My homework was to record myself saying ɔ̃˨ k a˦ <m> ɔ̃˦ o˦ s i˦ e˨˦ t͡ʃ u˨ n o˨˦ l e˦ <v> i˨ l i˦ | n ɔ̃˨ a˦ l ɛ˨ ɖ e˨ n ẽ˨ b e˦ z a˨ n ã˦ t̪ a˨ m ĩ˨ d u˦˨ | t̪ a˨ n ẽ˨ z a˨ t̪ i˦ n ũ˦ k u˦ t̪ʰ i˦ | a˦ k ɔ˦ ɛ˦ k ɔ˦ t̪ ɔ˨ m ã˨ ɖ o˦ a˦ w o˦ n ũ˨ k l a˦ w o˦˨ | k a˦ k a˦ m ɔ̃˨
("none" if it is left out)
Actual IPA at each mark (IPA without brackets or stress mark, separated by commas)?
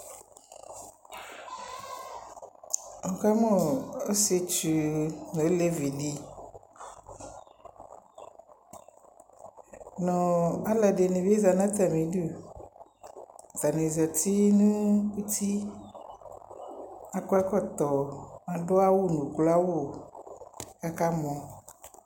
m, v